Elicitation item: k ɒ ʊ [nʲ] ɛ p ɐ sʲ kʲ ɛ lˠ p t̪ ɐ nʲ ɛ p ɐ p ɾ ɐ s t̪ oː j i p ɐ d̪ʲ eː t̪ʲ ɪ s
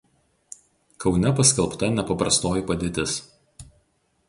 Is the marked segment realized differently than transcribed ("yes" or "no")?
no